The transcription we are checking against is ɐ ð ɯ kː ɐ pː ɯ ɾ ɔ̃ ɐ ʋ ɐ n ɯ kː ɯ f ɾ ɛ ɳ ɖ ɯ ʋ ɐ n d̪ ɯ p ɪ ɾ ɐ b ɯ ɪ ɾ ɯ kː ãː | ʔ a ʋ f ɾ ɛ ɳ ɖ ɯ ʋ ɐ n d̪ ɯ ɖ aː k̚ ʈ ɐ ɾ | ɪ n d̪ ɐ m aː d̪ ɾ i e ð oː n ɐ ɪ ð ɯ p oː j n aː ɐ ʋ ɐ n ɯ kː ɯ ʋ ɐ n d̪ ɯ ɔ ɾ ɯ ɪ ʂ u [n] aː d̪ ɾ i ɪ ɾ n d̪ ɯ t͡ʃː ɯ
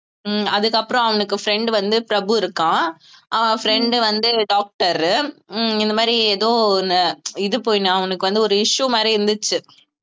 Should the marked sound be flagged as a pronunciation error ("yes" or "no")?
yes